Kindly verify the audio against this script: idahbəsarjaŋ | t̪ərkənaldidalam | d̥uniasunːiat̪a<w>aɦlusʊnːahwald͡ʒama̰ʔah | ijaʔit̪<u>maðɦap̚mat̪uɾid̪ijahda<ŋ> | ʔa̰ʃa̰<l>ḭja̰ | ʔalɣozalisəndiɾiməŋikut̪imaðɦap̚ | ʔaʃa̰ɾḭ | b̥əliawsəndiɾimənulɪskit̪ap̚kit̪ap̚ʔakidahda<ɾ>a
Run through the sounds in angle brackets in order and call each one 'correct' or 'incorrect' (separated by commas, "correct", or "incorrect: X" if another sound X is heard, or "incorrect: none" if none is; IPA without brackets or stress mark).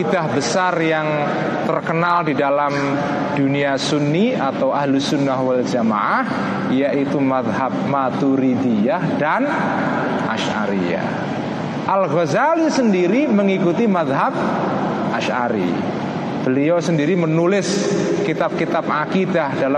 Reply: correct, correct, incorrect: n, incorrect: ɾ, incorrect: l